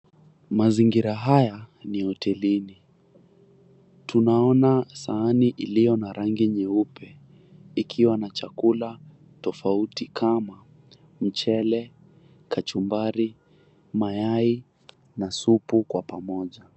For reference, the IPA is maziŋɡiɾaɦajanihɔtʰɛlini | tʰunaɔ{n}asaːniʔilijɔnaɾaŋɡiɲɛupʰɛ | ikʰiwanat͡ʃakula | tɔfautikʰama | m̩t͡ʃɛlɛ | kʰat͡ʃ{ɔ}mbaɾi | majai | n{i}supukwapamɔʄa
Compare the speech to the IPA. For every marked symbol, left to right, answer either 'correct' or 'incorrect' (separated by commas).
correct, incorrect, incorrect